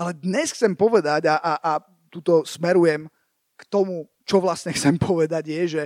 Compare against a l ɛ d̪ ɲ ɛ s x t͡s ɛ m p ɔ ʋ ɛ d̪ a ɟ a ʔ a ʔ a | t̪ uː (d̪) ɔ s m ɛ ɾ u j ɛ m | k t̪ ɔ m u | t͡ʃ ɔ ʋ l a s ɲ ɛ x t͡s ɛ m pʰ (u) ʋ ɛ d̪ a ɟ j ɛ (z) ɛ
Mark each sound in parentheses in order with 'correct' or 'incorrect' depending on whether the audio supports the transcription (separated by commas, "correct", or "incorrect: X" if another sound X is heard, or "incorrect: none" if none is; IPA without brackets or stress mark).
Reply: incorrect: t̪, incorrect: ɔ, incorrect: ʒ